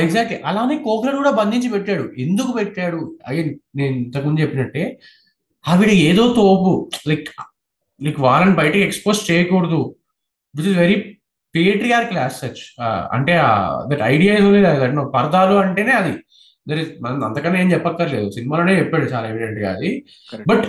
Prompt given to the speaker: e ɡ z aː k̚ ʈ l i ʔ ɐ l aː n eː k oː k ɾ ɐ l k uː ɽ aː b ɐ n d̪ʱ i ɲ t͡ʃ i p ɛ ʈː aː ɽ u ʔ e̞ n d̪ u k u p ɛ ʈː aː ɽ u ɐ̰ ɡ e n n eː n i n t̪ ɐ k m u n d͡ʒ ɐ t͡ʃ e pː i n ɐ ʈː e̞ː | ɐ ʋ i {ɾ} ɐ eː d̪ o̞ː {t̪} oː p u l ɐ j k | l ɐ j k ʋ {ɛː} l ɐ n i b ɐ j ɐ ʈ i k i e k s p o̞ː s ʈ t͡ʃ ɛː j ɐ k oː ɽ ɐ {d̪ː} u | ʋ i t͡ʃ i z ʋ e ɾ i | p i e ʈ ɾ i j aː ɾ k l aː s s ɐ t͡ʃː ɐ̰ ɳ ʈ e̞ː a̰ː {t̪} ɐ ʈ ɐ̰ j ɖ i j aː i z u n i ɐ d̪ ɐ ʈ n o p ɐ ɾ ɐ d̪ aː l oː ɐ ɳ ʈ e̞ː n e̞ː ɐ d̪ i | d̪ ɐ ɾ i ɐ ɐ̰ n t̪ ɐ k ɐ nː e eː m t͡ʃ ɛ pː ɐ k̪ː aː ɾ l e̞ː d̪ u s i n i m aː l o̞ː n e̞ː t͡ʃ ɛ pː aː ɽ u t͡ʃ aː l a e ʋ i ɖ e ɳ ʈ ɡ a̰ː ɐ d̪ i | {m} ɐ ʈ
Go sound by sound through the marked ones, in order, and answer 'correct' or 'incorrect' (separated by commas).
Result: incorrect, correct, incorrect, incorrect, incorrect, incorrect